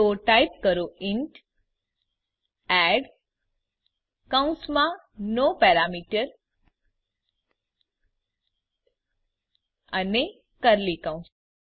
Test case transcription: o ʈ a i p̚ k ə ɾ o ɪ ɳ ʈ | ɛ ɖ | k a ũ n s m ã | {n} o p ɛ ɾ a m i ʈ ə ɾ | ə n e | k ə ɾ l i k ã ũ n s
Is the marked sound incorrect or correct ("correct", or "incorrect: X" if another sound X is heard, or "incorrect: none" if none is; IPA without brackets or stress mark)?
correct